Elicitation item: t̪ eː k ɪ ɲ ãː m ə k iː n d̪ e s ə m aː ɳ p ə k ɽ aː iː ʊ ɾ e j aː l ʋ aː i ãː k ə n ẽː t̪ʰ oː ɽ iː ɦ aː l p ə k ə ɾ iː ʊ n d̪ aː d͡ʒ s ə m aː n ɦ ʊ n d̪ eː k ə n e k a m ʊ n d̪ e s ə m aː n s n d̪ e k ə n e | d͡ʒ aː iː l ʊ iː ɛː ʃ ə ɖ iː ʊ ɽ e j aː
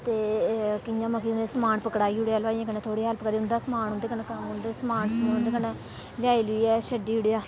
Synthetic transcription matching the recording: t̪ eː k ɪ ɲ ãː m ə k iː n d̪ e s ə m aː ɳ p ə k ɽ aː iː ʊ ɽ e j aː l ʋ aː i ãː k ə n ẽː t̪ʰ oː ɽ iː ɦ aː l p ə k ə ɾ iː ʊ n d̪ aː s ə m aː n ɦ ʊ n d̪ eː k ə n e k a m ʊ n d̪ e s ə m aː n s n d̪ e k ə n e | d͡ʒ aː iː l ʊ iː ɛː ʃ ə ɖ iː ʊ ɽ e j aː